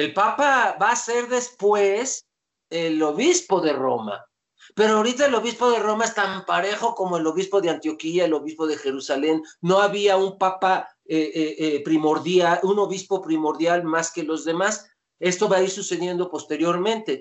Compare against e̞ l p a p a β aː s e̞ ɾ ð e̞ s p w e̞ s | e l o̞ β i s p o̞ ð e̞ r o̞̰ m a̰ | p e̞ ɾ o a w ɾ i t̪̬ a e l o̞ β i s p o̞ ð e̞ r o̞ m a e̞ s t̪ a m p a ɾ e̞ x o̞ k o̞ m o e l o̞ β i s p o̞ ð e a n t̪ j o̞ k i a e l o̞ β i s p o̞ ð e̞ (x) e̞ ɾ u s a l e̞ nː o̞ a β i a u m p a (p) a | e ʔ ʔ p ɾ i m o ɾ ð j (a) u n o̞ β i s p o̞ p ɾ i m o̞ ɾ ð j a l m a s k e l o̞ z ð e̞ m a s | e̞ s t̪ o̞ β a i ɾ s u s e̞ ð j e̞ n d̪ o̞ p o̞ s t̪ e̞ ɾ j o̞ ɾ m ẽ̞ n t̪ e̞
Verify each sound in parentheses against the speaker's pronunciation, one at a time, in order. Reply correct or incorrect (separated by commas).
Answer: correct, correct, correct